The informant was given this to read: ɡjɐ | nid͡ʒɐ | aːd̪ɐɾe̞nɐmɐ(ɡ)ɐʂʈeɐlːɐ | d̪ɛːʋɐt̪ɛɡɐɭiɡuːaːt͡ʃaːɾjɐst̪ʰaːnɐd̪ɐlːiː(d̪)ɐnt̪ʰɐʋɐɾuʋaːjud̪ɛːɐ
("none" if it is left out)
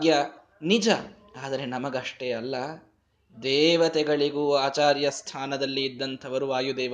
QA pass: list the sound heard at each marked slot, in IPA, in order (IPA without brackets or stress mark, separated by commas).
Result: ɡ, d̪ː